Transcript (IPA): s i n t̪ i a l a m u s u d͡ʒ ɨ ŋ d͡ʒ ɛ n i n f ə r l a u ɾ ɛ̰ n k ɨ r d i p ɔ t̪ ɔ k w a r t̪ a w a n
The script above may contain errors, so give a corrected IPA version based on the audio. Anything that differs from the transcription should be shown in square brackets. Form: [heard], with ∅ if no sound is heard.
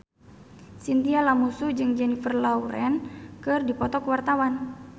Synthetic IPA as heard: s i n t̪ i a l a m u s u d͡ʒ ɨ ŋ d͡ʒ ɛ n i [∅] f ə r l a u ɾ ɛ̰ n k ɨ r d i p ɔ t̪ ɔ k w a r t̪ a w a n